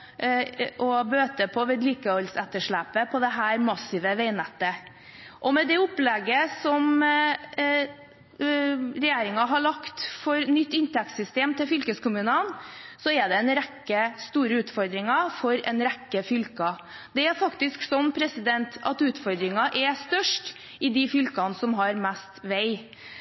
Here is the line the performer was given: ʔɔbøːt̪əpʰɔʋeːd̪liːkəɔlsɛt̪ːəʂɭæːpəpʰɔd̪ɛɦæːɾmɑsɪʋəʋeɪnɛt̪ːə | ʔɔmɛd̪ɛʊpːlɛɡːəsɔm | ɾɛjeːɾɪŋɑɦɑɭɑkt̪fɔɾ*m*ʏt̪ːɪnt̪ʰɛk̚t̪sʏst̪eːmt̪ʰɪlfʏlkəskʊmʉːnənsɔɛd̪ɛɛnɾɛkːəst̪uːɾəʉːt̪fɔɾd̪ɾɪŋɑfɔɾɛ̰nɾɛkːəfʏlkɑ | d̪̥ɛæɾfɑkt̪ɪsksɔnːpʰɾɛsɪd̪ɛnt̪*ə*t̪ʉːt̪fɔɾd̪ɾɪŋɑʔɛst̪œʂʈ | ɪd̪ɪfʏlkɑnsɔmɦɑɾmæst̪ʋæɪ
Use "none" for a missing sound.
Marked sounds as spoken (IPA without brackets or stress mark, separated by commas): n, ɑ